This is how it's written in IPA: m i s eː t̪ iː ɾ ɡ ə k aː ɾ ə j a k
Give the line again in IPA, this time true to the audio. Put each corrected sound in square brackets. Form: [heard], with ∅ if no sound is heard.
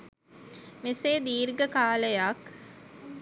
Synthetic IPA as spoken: m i s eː [d̪] iː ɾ ɡ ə k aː [l] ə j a k